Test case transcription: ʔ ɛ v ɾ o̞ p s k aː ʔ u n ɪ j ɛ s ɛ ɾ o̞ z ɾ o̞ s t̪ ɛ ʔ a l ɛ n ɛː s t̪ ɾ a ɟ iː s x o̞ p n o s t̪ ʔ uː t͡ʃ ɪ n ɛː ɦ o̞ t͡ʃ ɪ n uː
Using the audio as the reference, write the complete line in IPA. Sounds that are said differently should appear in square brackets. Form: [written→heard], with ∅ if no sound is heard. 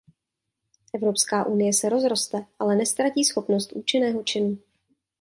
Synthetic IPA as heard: ʔ ɛ v ɾ o̞ p s k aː ʔ u n ɪ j ɛ s ɛ ɾ o̞ z ɾ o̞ s t̪ ɛ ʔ a l ɛ n [ɛː→ɛ] s t̪ ɾ a [ɟ→c] iː s x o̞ p n o s t̪ ʔ uː t͡ʃ ɪ n ɛː ɦ o̞ t͡ʃ ɪ n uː